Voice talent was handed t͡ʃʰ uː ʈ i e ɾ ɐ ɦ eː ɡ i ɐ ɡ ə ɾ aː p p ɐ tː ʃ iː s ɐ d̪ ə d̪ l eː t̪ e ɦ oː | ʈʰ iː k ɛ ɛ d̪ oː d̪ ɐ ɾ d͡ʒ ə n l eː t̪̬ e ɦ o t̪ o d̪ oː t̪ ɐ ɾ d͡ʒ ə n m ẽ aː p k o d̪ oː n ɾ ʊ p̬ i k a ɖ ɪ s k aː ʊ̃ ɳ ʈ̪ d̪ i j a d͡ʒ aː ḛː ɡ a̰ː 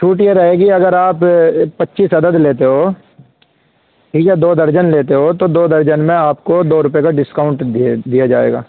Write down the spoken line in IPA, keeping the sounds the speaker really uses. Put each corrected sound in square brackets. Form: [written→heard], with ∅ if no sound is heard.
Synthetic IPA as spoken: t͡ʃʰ uː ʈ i e ɾ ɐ ɦ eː ɡ i ɐ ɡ ə ɾ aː p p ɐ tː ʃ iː s ɐ d̪ ə d̪ l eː t̪ e ɦ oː | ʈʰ iː k ɛ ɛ d̪ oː d̪ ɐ ɾ d͡ʒ ə n l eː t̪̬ e ɦ o t̪ o d̪ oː [t̪→d̪] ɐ ɾ d͡ʒ ə n m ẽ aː p k o d̪ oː [n→∅] ɾ ʊ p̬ [i→e] k a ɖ ɪ s k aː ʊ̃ ɳ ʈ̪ d̪ i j a d͡ʒ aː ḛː ɡ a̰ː